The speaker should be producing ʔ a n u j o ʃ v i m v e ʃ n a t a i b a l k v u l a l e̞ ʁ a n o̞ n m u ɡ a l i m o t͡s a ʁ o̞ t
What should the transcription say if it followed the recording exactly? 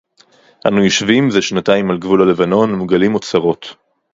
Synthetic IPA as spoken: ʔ a n u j o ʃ v i m z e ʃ n a t a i m a l ɡ v u l a l e̞ v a n o̞ n m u ɡ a l i m o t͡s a ʁ o̞ t